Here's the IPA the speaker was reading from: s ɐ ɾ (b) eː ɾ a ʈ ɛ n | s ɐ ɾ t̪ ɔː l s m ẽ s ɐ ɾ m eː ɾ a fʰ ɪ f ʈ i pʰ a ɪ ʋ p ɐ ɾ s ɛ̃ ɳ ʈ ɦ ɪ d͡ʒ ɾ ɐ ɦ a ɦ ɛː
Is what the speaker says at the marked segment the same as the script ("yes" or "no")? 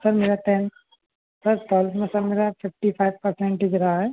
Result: no